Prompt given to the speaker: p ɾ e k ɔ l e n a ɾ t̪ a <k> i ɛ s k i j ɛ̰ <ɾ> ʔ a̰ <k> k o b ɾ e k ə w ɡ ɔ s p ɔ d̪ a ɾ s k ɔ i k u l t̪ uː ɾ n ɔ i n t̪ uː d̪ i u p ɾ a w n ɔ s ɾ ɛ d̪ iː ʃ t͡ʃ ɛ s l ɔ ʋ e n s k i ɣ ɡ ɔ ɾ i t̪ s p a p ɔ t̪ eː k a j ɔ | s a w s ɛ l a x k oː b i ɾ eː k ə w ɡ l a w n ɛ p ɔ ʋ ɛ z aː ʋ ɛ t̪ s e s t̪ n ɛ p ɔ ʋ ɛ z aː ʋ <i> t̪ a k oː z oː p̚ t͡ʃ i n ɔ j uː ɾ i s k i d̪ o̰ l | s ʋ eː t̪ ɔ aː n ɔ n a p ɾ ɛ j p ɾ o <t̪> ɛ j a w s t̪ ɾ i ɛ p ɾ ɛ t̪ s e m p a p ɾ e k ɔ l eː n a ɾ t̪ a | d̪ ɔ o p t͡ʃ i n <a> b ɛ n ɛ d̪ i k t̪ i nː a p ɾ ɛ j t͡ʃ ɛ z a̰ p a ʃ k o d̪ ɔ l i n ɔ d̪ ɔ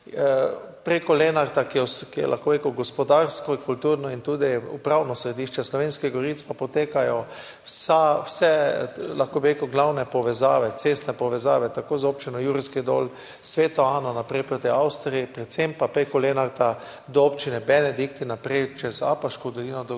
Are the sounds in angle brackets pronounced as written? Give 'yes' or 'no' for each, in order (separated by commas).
yes, no, no, no, yes, no